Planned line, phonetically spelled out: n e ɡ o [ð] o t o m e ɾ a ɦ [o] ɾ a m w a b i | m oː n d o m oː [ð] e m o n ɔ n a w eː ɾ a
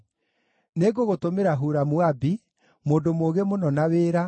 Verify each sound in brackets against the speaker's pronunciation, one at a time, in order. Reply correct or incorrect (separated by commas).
incorrect, incorrect, incorrect